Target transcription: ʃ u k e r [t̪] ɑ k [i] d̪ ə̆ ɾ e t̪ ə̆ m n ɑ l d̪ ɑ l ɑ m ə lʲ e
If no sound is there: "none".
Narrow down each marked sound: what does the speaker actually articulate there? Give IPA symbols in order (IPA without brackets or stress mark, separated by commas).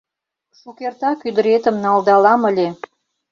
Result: t̪, y